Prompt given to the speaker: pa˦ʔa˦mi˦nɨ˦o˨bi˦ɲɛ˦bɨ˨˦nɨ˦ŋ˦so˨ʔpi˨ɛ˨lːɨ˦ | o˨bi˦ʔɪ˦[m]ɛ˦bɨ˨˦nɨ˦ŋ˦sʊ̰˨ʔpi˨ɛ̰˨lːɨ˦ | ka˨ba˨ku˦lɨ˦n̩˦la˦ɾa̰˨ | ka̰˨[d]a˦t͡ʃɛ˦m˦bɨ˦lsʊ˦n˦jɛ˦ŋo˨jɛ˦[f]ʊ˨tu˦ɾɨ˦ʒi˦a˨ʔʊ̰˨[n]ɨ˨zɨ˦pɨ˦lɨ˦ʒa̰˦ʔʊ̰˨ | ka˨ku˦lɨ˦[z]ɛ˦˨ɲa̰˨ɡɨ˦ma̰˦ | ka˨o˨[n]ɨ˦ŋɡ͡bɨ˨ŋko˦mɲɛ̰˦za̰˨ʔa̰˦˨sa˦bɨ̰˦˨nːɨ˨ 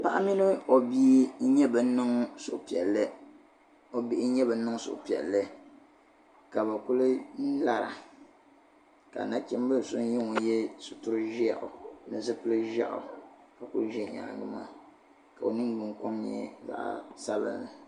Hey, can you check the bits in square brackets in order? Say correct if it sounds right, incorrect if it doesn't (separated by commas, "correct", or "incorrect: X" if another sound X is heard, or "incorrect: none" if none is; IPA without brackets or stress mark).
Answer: incorrect: ɲ, incorrect: n, incorrect: s, correct, incorrect: ʒ, correct